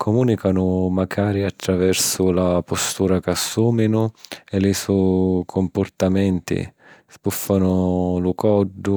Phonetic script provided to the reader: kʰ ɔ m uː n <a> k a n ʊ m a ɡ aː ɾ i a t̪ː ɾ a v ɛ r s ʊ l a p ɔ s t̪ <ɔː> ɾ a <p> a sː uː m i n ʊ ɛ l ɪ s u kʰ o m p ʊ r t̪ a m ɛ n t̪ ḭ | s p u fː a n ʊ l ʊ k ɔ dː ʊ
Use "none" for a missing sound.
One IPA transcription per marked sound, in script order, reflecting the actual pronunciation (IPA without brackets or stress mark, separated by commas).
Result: i, uː, k